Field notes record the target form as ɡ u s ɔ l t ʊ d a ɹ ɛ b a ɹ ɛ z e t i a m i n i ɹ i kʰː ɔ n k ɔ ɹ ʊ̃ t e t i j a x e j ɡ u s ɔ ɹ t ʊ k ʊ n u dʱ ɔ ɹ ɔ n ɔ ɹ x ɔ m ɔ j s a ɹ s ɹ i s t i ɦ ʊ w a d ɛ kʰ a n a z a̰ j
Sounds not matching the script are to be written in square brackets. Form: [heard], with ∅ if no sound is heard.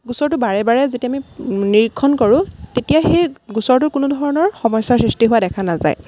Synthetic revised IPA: ɡ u s ɔ [ɹ] t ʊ [b] a ɹ ɛ b a ɹ ɛ z e t i a m i n i ɹ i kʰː ɔ n k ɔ ɹ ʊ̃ t e t i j a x e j ɡ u s ɔ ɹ t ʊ k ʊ n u dʱ ɔ ɹ ɔ n ɔ ɹ x ɔ m ɔ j s a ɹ s ɹ i s t i ɦ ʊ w a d ɛ kʰ a n a z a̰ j